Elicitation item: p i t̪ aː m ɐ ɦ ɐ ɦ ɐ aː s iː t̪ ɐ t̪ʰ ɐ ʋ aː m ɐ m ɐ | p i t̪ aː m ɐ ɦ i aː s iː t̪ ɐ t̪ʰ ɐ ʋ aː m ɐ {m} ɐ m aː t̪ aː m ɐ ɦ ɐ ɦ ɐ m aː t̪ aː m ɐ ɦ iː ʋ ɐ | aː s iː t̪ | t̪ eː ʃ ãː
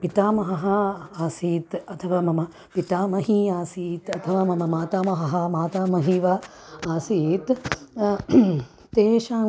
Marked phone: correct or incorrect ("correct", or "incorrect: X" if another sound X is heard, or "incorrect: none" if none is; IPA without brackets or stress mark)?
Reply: correct